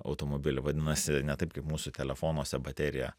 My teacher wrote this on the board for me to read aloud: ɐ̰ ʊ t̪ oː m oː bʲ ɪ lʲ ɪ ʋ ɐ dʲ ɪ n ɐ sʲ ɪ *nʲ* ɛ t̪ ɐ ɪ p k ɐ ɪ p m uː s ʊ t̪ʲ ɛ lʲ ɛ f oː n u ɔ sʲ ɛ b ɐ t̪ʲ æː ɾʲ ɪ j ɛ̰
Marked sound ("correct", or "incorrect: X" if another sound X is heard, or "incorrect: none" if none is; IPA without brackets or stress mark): correct